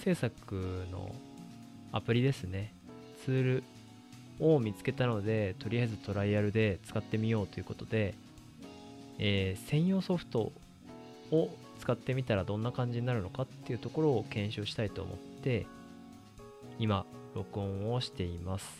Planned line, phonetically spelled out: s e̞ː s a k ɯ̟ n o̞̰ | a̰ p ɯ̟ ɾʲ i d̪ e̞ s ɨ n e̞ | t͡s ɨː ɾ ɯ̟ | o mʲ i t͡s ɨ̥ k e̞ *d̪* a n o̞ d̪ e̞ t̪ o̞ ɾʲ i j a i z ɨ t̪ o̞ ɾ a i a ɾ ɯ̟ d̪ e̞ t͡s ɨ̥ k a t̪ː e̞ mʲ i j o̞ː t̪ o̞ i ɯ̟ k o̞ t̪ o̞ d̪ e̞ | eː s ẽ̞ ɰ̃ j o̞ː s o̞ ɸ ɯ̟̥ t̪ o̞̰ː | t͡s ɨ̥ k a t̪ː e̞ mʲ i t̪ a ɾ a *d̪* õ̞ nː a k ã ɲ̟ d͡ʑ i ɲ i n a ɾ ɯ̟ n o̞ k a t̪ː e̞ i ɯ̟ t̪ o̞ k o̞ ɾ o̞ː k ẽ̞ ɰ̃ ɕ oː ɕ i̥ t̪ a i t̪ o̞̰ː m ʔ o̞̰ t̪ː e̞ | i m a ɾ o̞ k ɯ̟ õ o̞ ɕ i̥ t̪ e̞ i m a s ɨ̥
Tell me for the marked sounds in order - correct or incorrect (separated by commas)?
incorrect, correct